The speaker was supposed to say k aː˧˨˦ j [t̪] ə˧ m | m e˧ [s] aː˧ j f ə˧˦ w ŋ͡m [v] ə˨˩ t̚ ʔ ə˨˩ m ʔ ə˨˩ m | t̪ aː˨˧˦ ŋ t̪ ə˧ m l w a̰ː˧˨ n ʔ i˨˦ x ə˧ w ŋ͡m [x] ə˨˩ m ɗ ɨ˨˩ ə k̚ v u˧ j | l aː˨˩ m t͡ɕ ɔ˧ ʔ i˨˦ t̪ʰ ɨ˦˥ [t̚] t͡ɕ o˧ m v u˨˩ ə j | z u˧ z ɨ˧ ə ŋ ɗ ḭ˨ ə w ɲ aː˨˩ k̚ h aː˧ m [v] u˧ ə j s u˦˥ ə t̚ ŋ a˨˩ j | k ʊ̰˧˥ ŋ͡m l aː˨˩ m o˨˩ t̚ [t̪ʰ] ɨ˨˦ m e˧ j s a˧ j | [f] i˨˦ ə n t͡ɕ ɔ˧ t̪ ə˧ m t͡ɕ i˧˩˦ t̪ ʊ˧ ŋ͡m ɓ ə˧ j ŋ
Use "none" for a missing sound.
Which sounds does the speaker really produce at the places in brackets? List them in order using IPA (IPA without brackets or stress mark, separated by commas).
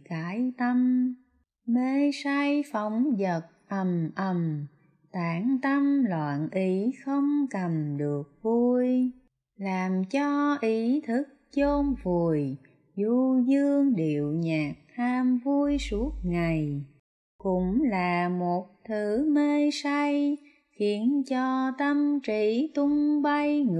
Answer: t̪, s, z, k, k̚, v, t̪ʰ, x